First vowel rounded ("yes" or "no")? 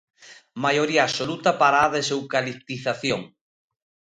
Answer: no